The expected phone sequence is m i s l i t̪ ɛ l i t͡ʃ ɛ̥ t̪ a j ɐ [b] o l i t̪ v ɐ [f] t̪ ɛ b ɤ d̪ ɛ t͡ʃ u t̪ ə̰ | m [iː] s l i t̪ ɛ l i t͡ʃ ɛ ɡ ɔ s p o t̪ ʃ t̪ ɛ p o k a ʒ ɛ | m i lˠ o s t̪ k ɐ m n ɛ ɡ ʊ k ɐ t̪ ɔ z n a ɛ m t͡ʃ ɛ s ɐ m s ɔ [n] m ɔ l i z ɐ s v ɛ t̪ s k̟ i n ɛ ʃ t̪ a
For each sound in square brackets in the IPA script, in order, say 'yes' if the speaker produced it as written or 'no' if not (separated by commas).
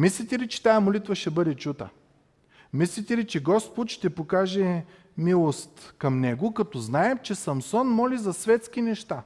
no, no, no, yes